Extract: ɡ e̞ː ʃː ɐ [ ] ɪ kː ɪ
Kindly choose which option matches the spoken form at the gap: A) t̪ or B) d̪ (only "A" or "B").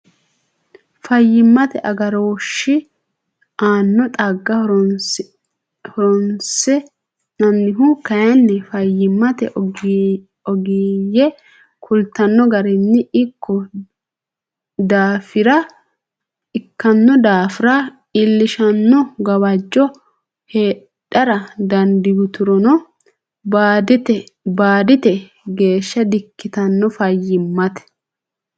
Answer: B